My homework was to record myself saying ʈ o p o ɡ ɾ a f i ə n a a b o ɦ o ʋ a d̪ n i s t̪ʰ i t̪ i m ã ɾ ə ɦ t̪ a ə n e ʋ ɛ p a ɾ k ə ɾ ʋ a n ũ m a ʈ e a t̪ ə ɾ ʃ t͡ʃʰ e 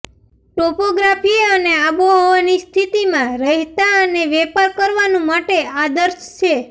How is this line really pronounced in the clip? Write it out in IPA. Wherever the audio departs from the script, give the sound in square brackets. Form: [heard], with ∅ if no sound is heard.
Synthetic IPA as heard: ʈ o p o ɡ ɾ a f i ə n [e] a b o ɦ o ʋ a [∅] n i s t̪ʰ i t̪ i m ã ɾ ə ɦ t̪ a ə n e ʋ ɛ p a ɾ k ə ɾ ʋ a n ũ m a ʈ e a [d̪] ə ɾ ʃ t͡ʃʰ e